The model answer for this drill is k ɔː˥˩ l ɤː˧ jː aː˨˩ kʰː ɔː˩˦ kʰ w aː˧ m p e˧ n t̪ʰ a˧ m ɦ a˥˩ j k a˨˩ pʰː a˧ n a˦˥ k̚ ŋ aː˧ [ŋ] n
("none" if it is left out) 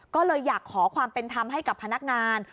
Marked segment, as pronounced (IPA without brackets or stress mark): none